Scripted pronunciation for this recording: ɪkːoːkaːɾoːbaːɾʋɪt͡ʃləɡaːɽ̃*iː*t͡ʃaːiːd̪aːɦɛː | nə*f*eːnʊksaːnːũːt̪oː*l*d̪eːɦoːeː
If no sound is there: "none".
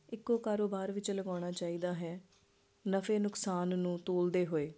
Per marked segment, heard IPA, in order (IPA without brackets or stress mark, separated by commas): aː, f, l